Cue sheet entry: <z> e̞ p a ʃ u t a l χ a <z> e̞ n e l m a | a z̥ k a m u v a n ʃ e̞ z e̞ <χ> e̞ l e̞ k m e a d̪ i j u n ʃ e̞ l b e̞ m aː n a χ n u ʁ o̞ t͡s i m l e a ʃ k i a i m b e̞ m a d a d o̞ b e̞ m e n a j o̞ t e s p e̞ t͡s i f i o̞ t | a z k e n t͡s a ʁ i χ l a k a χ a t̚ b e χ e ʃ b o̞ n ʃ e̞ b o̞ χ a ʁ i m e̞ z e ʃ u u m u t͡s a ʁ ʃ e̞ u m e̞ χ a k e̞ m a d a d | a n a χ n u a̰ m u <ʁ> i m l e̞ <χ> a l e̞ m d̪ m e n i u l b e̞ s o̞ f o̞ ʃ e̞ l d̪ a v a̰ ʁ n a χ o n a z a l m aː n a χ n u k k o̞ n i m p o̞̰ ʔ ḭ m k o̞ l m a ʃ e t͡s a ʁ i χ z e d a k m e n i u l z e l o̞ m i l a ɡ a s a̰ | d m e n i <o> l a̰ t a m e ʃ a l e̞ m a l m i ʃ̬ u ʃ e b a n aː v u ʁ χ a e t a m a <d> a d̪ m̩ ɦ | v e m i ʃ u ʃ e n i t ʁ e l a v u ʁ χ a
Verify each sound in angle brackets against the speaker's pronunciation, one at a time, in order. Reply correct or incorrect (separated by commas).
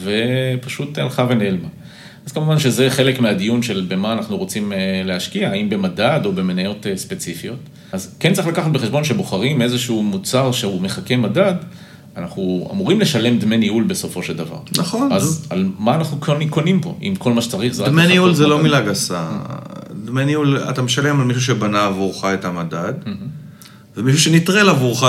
incorrect, incorrect, correct, correct, incorrect, incorrect, correct